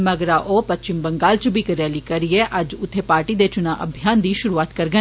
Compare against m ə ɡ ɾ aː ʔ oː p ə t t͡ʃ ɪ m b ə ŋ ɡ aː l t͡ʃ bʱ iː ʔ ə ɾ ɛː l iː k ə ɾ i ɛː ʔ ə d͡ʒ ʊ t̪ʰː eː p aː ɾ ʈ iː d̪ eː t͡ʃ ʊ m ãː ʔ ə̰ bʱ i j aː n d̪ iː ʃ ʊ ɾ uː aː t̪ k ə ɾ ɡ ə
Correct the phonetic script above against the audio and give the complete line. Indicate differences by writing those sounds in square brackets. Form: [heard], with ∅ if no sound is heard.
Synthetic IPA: m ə ɡ ɾ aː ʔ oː p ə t t͡ʃ ɪ m b ə ŋ ɡ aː l t͡ʃ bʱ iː [k] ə ɾ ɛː l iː k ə ɾ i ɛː ʔ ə d͡ʒ ʊ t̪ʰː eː p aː ɾ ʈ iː d̪ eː t͡ʃ ʊ [n] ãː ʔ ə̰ bʱ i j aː n d̪ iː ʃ ʊ ɾ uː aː t̪ k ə ɾ ɡ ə